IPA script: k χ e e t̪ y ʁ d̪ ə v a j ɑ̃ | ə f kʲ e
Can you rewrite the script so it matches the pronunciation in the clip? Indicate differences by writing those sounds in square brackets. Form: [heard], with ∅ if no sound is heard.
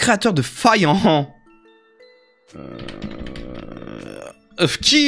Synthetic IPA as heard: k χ e [a] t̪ [œ] ʁ d̪ ə [f] a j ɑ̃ | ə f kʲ [i]

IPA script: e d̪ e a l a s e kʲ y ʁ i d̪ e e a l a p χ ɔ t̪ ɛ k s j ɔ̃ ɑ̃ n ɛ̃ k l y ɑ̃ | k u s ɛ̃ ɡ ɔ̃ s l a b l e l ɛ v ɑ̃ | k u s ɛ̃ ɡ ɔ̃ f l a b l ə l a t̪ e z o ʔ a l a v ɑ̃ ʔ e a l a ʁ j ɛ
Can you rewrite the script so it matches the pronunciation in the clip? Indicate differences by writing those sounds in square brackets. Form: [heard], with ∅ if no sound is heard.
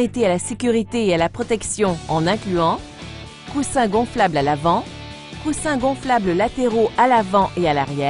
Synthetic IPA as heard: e [t̪] e a l a s e kʲ y ʁ i [t̪] e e a l a p χ ɔ t̪ ɛ k s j ɔ̃ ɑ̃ n ɛ̃ k l y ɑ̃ | k u s ɛ̃ ɡ ɔ̃ [f] l a b l [a] l [a] v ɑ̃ | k u s ɛ̃ ɡ ɔ̃ f l a b l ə l a t̪ e [ʁ] o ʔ a l a v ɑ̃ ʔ e a l a ʁ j ɛ

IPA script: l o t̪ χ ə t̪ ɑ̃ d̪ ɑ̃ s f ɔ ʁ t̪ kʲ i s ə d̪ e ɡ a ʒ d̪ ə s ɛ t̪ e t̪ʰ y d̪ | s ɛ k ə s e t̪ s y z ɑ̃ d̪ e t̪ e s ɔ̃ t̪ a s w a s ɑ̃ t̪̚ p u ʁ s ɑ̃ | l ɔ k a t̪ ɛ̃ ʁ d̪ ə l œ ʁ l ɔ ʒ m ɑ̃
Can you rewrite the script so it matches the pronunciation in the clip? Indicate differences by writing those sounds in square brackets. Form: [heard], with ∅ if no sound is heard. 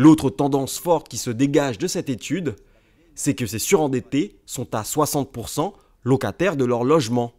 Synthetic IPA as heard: l o t̪ χ ə t̪ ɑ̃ d̪ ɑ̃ s f ɔ ʁ t̪ kʲ i s ə d̪ e ɡ a ʒ d̪ ə s ɛ t̪ e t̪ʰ y d̪ | s ɛ k ə s e [∅] s y [ʁ] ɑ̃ d̪ e t̪ e s ɔ̃ t̪ a s w a s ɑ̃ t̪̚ p u ʁ s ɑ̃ | l ɔ k a t̪ [ɛ] ʁ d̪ ə l œ ʁ l ɔ ʒ m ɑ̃

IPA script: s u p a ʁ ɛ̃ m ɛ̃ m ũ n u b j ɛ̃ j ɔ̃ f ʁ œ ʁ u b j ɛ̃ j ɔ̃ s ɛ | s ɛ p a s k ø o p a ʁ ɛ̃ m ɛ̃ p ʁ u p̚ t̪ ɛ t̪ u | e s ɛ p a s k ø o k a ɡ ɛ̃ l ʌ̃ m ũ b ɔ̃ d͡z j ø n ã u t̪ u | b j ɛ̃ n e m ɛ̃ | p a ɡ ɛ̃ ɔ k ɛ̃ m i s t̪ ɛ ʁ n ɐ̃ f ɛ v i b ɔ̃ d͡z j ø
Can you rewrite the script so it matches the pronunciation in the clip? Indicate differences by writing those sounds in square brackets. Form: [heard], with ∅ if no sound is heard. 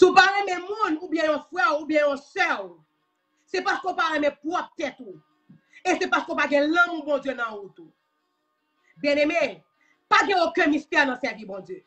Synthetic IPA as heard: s u p a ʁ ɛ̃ m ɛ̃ m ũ n u b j ɛ̃ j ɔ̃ f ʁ [ɛ] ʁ u b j ɛ̃ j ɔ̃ s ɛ | s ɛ p a s k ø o p a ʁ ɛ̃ m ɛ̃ p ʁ [ɔ] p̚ t̪ ɛ t̪ u | e s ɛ p a s k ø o [p] a ɡ ɛ̃ l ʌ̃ m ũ b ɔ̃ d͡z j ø n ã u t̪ u | b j ɛ̃ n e m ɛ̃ | p a ɡ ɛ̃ [o] k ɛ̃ m i s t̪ ɛ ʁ n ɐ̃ [s] ɛ v i b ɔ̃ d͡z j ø

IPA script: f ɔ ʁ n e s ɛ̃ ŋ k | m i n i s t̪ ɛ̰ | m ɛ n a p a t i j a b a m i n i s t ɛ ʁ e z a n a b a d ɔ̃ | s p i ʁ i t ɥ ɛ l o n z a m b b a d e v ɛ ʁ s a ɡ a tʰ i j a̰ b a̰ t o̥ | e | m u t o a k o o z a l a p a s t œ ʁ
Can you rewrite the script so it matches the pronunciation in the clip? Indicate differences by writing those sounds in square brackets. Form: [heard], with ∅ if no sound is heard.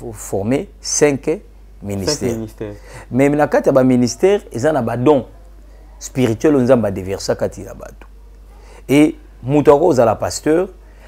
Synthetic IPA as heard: f ɔ ʁ [m] e s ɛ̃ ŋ k | m i n i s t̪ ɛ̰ | m ɛ n a [k] a t i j a b a m i n i s t ɛ ʁ e z a n a b a d ɔ̃ | s p i ʁ i t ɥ ɛ l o n z a m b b a d e v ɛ ʁ s a [k] a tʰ i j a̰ b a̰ t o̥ | e | m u t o a k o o z a l a p a s t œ ʁ

